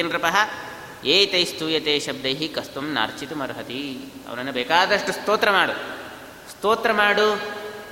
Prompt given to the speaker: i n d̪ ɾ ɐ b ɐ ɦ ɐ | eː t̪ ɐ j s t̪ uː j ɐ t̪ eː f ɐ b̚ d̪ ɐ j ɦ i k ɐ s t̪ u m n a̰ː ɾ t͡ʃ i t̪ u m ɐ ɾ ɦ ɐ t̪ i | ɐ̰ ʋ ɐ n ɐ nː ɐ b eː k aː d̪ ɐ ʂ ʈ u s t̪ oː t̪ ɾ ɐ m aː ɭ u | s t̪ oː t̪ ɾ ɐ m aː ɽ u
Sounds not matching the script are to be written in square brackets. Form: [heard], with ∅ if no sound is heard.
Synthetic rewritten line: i n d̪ ɾ ɐ [p] ɐ ɦ ɐ | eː t̪ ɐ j s t̪ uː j ɐ t̪ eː [ʃ] ɐ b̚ d̪ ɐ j ɦ i k ɐ s t̪ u m n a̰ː ɾ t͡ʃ i t̪ u m ɐ ɾ ɦ ɐ t̪ i | ɐ̰ ʋ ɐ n ɐ nː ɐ b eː k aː d̪ ɐ ʂ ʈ u s t̪ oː t̪ ɾ ɐ m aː [ɽ] u | s t̪ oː t̪ ɾ ɐ m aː ɽ u